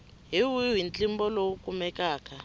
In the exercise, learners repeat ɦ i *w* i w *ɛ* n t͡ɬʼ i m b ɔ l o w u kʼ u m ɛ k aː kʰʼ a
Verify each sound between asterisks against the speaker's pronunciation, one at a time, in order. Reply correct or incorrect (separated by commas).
correct, incorrect